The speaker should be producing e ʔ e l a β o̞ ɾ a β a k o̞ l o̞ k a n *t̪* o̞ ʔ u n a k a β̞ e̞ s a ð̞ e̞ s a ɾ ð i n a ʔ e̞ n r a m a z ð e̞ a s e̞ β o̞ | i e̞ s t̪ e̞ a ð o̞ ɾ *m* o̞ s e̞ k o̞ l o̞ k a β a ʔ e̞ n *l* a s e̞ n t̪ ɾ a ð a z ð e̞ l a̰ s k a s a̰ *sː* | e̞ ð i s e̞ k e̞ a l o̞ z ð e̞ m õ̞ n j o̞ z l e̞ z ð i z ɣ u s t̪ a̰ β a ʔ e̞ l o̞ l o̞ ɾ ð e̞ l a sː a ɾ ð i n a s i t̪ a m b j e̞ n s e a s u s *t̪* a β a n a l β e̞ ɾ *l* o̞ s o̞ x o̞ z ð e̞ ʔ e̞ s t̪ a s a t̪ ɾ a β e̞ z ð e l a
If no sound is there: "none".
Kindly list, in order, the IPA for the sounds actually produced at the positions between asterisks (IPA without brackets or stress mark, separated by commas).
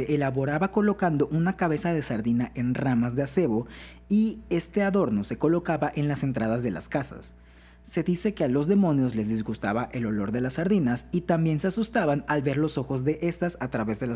d̪, n, l, sː, t̪, l